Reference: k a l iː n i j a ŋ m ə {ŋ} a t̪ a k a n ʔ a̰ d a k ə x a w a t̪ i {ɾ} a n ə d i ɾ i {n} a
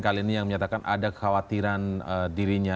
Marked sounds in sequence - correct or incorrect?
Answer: incorrect, correct, incorrect

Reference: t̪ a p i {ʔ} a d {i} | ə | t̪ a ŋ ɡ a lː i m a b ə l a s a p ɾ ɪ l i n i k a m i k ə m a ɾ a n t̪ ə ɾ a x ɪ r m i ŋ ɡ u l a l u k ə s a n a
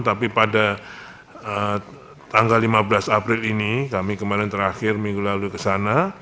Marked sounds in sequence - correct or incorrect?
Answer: incorrect, incorrect

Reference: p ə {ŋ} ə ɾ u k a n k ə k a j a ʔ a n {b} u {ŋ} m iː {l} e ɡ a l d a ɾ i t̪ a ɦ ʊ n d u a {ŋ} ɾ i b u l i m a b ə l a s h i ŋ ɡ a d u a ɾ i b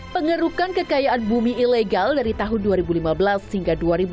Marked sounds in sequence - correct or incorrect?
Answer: correct, correct, incorrect, correct, incorrect

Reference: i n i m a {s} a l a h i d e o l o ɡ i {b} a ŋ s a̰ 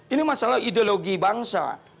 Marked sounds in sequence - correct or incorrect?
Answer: correct, correct

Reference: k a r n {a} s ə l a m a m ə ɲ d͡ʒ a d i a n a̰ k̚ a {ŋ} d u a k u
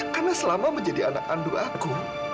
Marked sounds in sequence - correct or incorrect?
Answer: correct, incorrect

